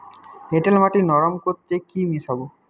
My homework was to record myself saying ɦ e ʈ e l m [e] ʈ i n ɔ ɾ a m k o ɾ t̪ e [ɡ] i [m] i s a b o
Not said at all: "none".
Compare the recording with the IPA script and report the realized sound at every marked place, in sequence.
a, k, m

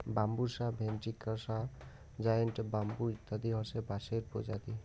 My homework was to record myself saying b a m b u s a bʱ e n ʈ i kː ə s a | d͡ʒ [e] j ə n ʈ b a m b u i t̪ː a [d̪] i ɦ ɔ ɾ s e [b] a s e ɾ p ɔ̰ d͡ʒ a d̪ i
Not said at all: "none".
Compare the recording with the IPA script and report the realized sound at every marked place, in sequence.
a, d̪, b

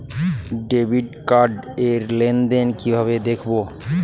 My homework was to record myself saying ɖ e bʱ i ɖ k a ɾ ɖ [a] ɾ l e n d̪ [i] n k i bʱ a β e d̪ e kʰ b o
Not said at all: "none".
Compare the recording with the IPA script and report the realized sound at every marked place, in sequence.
e, e

